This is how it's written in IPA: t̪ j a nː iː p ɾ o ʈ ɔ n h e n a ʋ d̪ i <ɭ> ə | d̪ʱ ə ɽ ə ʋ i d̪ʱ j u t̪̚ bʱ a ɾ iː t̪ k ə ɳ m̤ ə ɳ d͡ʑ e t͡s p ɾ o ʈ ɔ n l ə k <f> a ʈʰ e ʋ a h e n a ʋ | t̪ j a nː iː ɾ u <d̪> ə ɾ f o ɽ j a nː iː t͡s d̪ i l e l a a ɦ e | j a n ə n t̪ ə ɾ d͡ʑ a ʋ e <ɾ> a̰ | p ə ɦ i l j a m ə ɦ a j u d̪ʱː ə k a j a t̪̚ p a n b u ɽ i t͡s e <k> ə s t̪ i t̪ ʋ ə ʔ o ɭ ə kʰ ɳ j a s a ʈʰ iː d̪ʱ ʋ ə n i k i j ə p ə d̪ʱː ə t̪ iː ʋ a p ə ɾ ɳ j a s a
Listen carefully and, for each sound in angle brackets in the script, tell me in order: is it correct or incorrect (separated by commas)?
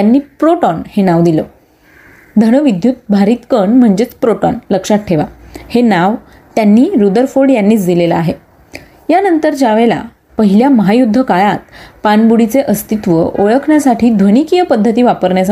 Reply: incorrect, incorrect, correct, incorrect, incorrect